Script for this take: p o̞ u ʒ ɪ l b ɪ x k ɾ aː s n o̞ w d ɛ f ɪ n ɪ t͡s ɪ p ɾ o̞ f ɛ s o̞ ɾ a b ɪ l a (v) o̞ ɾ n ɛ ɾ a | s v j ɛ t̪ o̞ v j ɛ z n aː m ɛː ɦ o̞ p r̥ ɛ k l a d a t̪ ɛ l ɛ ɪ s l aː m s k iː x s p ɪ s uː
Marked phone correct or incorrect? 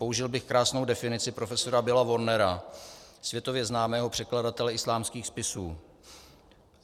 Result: correct